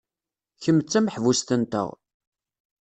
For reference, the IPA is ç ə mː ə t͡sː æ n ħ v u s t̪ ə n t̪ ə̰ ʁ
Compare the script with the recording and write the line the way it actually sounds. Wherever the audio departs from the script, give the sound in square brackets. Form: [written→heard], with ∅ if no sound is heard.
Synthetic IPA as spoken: ç ə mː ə t͡sː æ [n→m] ħ v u s t̪ ə n t̪ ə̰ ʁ